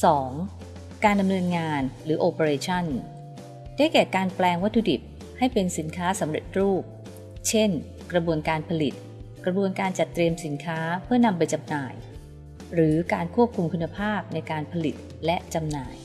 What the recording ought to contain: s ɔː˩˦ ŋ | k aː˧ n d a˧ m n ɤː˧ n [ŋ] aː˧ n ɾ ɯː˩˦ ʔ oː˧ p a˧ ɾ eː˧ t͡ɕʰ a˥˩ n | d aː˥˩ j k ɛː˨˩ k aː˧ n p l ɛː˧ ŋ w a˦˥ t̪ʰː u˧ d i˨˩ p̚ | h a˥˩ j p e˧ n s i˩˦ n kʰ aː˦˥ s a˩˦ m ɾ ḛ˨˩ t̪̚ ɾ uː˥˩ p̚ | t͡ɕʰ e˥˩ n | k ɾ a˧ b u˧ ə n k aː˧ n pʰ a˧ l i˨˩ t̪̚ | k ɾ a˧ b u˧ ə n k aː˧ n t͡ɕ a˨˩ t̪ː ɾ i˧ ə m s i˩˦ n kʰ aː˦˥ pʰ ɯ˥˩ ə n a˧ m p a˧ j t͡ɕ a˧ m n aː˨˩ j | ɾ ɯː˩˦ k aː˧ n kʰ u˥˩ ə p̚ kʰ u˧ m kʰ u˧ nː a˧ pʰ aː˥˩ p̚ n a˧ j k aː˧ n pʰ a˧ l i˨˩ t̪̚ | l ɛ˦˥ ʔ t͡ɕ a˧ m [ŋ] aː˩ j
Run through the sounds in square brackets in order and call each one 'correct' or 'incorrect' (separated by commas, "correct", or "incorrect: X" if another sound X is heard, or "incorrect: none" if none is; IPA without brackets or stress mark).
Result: correct, incorrect: n